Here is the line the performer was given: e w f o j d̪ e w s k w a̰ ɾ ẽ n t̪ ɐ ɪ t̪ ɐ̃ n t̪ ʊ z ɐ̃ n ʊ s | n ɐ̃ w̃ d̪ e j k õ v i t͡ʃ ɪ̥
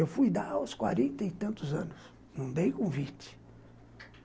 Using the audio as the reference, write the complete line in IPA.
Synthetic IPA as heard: e w f u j d̪ a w s k w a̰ ɾ ẽ n t̪ ɐ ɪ t̪ ɐ̃ n t̪ ʊ z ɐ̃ n ʊ s | n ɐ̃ w̃ d̪ e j k õ v i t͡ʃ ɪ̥